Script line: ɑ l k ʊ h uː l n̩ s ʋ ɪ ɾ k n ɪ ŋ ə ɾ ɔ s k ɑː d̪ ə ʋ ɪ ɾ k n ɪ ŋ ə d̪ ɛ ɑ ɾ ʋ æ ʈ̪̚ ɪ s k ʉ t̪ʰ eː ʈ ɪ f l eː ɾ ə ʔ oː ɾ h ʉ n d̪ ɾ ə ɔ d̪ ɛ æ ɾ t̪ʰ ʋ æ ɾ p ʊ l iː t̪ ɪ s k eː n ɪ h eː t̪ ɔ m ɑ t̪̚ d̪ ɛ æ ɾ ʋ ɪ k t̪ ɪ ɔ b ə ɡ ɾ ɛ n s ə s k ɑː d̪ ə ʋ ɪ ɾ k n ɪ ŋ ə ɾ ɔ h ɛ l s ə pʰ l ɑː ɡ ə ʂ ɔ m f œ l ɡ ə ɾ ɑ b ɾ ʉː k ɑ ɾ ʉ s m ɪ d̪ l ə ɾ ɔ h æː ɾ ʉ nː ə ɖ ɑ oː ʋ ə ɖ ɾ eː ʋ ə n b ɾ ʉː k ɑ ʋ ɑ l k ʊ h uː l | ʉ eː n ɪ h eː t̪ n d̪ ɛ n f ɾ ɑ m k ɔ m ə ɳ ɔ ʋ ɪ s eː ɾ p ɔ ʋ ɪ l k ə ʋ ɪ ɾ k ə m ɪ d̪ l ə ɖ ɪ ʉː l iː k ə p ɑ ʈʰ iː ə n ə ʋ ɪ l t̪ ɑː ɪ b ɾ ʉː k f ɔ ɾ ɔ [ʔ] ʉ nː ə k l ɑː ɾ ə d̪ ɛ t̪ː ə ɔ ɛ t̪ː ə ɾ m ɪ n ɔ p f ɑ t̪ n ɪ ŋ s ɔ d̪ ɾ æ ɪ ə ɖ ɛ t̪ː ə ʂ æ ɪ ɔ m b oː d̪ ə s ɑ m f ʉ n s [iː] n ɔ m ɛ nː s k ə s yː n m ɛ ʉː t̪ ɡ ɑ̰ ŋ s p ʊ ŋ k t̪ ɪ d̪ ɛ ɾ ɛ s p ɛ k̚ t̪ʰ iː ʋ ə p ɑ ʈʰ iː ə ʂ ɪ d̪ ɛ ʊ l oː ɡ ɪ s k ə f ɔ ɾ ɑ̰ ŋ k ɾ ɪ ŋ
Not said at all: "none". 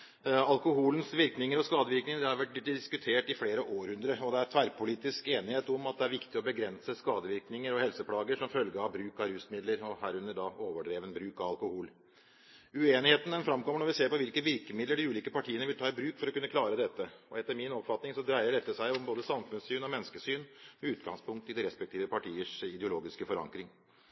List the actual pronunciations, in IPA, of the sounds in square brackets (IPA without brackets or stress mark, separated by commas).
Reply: k, yː